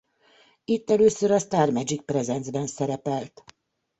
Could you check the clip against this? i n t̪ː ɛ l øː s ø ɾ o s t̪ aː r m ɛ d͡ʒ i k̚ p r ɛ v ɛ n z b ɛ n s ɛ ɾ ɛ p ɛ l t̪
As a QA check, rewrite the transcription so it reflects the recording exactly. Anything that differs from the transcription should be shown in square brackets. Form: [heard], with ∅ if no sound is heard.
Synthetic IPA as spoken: i [∅] t̪ː ɛ l øː s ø ɾ [ɒ] s t̪ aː r m ɛ d͡ʒ i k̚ p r ɛ [z] ɛ n z b ɛ n s ɛ ɾ ɛ p ɛ l t̪